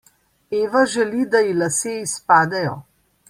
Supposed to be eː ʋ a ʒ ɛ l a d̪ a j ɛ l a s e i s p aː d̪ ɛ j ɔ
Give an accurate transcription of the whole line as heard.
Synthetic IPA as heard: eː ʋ a ʒ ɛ l i d̪ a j i l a s e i s p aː d̪ ɛ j ɔ